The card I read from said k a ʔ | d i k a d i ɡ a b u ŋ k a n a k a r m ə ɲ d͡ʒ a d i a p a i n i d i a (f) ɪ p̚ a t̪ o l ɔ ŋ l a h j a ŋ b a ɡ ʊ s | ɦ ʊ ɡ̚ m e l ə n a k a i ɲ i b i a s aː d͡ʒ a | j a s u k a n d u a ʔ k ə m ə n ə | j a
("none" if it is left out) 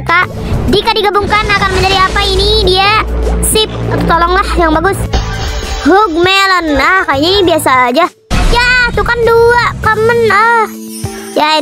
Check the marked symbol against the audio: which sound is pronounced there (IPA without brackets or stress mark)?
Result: s